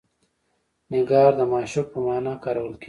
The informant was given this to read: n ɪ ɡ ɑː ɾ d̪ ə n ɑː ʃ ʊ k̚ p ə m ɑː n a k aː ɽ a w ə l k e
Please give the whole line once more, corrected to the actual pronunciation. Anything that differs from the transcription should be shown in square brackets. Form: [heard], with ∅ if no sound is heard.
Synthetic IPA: n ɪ ɡ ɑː ɾ d̪ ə [m] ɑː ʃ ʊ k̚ p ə m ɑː n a k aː [ɾ] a w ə l k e